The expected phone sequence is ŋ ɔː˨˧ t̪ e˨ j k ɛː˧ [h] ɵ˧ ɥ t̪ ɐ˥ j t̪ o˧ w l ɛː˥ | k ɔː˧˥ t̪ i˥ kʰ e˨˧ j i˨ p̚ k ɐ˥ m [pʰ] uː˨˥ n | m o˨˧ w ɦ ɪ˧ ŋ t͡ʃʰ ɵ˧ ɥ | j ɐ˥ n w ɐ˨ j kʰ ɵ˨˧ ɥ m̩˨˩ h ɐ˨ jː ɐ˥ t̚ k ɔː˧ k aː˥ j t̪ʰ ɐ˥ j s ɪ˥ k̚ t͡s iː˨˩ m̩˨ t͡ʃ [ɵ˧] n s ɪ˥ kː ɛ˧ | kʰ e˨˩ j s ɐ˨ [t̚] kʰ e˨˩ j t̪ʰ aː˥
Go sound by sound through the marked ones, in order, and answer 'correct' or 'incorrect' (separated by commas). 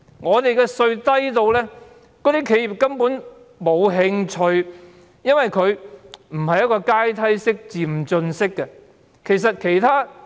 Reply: incorrect, incorrect, correct, correct